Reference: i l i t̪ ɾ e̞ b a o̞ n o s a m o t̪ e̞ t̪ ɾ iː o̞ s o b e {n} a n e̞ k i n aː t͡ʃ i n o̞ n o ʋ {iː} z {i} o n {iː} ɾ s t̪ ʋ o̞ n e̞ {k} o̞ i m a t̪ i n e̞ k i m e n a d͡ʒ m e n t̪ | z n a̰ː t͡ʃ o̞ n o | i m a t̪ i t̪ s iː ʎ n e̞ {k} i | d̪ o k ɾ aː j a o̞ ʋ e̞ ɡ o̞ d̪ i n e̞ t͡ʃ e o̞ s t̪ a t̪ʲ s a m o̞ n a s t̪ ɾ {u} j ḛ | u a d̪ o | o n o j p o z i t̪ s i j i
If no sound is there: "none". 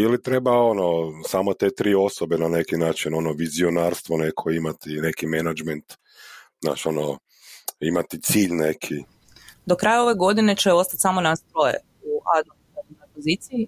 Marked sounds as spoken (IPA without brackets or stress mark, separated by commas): n, i, i, aː, kʰ, kʰ, o